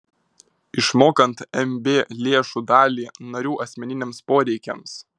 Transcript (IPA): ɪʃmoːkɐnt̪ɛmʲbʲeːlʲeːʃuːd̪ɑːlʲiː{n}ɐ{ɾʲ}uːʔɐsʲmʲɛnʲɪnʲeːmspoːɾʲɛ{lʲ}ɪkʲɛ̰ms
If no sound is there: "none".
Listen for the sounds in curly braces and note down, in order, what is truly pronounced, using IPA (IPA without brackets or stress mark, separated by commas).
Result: n, ɾʲ, none